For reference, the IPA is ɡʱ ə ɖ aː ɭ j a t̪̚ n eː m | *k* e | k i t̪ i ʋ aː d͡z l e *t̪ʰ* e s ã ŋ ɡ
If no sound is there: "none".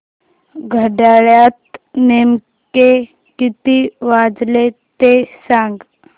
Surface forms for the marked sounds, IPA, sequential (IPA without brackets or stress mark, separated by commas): k, t̪